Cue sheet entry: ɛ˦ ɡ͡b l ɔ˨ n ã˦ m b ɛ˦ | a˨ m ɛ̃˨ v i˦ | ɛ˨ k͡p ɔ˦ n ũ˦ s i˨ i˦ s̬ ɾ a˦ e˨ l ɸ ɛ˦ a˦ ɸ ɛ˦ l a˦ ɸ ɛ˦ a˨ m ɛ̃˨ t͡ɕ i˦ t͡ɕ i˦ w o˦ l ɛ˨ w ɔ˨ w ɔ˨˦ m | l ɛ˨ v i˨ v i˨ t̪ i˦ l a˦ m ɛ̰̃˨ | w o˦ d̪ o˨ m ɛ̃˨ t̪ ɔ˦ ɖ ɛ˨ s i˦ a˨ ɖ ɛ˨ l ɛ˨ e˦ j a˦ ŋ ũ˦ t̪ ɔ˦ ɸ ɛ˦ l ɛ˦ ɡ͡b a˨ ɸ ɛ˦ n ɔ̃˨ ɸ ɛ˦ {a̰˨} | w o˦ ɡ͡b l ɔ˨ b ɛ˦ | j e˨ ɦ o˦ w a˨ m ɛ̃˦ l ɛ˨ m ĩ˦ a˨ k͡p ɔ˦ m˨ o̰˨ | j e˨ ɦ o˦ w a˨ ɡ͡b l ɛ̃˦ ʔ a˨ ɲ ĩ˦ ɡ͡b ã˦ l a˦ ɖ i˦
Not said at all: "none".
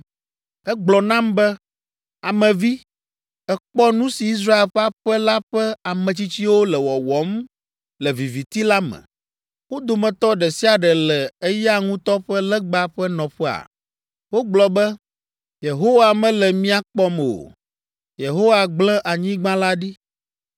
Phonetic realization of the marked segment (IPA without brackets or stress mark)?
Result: a̰˨